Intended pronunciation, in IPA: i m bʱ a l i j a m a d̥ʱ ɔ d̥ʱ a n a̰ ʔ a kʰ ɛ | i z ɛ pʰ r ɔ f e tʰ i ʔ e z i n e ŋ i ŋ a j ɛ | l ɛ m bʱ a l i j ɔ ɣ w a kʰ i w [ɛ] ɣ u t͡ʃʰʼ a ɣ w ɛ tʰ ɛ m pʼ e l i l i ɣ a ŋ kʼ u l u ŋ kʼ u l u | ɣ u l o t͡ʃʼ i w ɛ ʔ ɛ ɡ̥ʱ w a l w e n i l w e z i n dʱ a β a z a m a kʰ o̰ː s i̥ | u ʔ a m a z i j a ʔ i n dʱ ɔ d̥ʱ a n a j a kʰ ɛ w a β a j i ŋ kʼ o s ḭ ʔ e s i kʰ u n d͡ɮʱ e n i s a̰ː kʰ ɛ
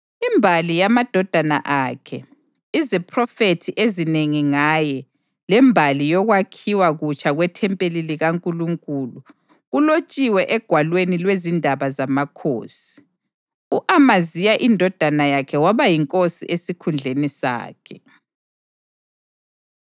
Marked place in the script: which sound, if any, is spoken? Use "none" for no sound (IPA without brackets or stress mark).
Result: a